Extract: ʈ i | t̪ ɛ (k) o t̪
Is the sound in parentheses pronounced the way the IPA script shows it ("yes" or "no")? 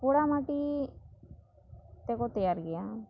yes